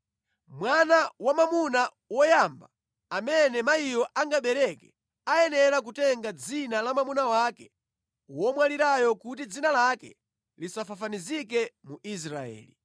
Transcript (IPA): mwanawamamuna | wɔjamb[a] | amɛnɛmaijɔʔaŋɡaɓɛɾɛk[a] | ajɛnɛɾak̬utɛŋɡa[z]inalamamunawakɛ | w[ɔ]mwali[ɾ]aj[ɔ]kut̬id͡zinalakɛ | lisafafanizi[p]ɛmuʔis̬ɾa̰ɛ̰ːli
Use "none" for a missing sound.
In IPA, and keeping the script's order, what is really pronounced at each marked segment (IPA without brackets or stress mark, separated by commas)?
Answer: a, ɛ, d͡z, ɔ, ɾ, ɔ, k